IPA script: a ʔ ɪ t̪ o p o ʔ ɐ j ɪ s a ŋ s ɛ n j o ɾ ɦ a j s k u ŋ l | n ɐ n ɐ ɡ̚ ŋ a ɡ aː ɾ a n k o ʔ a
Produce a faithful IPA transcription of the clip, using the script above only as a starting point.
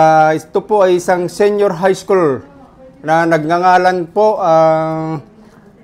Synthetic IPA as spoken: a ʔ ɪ t̪ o p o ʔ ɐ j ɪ s a ŋ s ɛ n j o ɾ ɦ a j s k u l | n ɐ n ɐ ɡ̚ ŋ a ŋ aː l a n p o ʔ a

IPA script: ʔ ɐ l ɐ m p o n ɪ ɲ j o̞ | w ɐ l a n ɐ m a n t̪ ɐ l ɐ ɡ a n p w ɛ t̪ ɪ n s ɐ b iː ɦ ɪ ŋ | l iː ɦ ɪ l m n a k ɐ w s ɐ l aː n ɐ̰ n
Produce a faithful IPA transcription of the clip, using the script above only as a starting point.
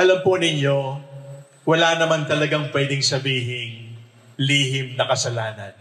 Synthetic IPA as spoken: ʔ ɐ l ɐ m p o n ɪ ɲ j o̞ | w ɐ l a n ɐ m a n t̪ ɐ l ɐ ɡ a ŋ p w ɛ d̪ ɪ ŋ s ɐ b iː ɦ ɪ ŋ | l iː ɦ ɪ m n ɐ k ɐ s ɐ l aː n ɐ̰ n

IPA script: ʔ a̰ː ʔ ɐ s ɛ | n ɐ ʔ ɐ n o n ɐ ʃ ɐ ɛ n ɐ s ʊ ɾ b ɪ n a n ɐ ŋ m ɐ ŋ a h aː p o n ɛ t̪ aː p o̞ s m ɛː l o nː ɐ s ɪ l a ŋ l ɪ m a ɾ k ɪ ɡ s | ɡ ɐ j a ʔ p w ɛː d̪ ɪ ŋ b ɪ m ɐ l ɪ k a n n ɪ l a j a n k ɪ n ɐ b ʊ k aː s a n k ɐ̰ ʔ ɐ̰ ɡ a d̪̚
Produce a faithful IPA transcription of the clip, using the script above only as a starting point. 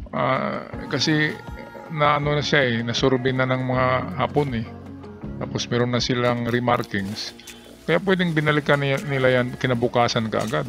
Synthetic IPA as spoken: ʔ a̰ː k ɐ s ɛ | n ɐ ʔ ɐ n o n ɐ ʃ a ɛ n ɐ s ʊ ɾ b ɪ n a n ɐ ŋ m ɐ ŋ a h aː p o n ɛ t̪ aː p o̞ s m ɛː ɾ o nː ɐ s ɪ l a ŋ ɾ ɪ m a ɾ k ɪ ŋ s | k ɐ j a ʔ p w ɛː d̪ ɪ ŋ b ɪ n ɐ l ɪ k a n n ɪ l a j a n k ɪ n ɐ b ʊ k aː s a n k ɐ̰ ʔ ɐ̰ ɡ a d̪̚

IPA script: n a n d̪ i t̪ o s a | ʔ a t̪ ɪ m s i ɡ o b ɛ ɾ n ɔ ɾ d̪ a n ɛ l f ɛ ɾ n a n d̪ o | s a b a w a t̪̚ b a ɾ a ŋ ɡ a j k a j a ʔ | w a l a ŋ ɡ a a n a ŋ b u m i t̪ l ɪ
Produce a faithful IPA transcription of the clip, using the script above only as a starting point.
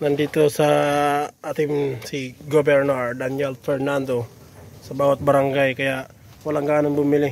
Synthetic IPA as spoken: n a n d̪ i t̪ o s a | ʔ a t̪ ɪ m s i ɡ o b ɛ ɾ n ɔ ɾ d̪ a n ɛ l f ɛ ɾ n a n d̪ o | s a b a w a t̪̚ b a ɾ a ŋ ɡ a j k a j a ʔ | w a l a ŋ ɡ a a n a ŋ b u m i l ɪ

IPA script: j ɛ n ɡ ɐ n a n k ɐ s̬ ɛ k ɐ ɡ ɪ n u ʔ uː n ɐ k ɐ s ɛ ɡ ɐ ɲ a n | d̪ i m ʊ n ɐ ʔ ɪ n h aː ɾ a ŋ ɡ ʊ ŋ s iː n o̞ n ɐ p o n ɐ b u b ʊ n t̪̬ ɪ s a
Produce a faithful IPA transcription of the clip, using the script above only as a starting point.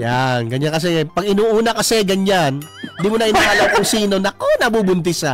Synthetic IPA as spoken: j a n ɡ ɐ ɲ a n k ɐ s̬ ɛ p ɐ ɡ ɪ n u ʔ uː n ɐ k ɐ s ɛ ɡ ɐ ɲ a n | d̪ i m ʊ n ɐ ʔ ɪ n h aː l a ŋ k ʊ ŋ s iː n o̞ n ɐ k o n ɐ b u b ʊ n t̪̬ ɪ s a

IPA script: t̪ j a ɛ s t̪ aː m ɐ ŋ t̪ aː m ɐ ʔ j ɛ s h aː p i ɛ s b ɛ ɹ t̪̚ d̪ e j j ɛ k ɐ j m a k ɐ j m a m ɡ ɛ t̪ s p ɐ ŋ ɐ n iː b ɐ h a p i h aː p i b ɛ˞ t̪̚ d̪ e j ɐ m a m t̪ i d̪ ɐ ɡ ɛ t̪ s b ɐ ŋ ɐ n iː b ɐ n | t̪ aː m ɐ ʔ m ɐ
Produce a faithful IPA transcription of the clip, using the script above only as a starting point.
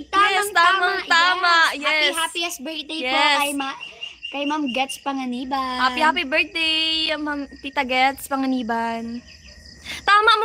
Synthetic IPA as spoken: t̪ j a ɛ s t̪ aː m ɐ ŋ t̪ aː m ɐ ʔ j ɛ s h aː p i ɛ s b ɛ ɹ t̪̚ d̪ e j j ɛ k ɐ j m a k ɐ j m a m ɡ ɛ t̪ s p ɐ ŋ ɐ n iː b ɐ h a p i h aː p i b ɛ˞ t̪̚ d̪ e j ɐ m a m t̪ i t̪ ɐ ɡ ɛ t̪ s p ɐ ŋ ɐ n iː b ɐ n | t̪ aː m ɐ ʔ m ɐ

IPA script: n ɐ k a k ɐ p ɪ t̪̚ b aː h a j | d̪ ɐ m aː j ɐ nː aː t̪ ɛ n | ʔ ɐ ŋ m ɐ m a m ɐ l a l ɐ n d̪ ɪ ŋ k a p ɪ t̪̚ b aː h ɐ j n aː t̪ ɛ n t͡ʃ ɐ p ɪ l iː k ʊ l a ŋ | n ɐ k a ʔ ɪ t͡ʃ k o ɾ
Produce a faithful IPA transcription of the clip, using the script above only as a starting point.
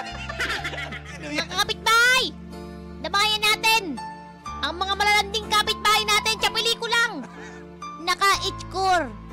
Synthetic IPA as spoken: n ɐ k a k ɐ p ɪ t̪̚ b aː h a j | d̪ ɐ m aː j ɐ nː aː t̪ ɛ n | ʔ ɐ ŋ m ɐ ŋ a m ɐ l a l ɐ n d̪ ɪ ŋ k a p ɪ t̪̚ b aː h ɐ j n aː t̪ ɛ n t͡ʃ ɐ p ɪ l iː k ʊ l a ŋ | n ɐ k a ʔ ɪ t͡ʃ k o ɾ

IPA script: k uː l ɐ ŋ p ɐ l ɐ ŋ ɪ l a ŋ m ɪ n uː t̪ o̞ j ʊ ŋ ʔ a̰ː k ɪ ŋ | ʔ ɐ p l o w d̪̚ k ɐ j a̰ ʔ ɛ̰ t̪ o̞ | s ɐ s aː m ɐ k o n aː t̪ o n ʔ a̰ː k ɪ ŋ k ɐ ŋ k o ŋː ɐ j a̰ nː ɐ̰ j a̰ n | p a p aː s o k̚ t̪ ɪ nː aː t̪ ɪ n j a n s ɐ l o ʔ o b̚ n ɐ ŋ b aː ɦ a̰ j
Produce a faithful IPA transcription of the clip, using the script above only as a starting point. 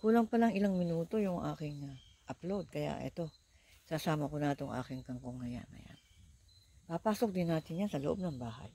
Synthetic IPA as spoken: k uː l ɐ ŋ p ɐ l ɐ ŋ ɪ l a ŋ m ɪ n uː t̪ o̞ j ʊ ŋ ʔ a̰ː k ɪ ŋ | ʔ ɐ p l o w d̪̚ k ɐ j a̰ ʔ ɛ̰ t̪ o̞ | s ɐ s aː m ɐ k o n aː t̪ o ŋ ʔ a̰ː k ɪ ŋ k ɐ ŋ k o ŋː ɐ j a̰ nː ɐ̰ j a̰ n | p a p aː s o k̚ d̪ ɪ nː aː t̪ ɪ n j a n s ɐ l o ʔ o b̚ n ɐ ŋ b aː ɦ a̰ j

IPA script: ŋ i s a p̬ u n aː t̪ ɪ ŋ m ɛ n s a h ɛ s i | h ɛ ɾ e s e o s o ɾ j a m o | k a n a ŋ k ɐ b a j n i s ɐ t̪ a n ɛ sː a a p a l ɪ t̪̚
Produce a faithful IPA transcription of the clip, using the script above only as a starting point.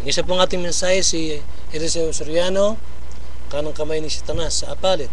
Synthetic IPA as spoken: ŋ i s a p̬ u ŋ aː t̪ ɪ ŋ m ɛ n s a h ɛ s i | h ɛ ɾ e s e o s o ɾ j a n o | k a n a ŋ k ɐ m a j n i s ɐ t̪ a n a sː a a p a l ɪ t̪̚

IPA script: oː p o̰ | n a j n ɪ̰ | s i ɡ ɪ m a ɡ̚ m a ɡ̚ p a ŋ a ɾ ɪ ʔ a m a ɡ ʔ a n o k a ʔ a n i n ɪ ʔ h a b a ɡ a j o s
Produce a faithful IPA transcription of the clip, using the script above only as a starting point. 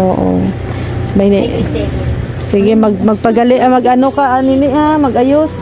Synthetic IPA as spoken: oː ʔ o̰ | m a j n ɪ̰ | s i ɡ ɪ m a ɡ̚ m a ɡ̚ p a ɡ a l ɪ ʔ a m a ɡ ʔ a n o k a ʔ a n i n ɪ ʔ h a m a ɡ a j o s

